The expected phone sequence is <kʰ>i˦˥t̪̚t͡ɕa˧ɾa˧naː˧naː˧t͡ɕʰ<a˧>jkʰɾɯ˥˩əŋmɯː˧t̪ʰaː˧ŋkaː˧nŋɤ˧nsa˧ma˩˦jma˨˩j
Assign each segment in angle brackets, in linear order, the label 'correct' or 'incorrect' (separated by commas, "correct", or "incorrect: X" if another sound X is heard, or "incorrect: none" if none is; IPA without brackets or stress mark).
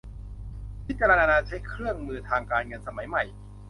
incorrect: pʰ, incorrect: a˦˥